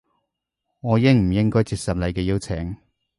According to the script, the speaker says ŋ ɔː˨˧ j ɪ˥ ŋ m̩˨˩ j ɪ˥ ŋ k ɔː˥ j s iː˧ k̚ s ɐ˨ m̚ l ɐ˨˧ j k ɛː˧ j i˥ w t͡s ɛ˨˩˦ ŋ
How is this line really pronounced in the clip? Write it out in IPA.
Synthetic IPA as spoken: ŋ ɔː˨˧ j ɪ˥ ŋ m̩˨˩ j ɪ˥ ŋ k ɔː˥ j t͡s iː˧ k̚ s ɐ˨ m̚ l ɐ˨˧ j k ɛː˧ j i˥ w t͡sʰ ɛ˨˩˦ ŋ